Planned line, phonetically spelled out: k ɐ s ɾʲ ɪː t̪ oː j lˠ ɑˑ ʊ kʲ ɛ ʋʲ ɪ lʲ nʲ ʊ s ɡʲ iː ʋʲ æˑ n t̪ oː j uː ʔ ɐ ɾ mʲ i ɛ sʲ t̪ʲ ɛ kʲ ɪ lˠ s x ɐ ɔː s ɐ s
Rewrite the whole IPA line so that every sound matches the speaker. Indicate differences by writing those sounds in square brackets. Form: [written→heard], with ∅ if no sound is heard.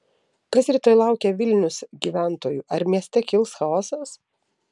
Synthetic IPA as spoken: k ɐ s ɾʲ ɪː t̪ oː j lˠ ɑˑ ʊ kʲ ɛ ʋʲ ɪ lʲ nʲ ʊ s ɡʲ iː ʋʲ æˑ n t̪ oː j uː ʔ ɐ ɾ mʲ i ɛ sʲ t̪ʲ ɛ kʲ ɪ lˠ s x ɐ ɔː s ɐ s